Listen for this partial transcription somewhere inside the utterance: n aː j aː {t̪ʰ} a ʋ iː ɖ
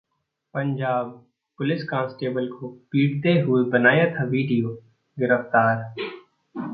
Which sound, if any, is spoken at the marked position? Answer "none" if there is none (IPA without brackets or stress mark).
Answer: t̪ʰ